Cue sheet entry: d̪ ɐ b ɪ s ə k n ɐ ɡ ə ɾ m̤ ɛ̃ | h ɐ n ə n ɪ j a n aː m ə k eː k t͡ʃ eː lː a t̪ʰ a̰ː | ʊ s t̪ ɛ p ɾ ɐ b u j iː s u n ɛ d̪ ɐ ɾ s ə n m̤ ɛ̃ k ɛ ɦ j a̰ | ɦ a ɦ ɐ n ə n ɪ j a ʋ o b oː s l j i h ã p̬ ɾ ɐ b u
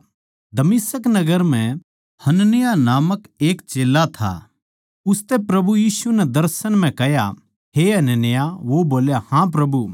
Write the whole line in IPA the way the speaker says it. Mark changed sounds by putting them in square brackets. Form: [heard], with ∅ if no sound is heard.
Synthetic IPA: d̪ ɐ [m] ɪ s ə k n ɐ ɡ ə ɾ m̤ ɛ̃ | h ɐ n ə n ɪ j a n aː m ə k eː k t͡ʃ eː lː a t̪ʰ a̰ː | ʊ s t̪ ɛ p ɾ ɐ b u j iː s u n ɛ d̪ ɐ ɾ s ə n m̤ ɛ̃ k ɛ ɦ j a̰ | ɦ [e] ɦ ɐ n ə n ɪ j a ʋ o b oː [∅] l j [a] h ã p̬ ɾ ɐ b u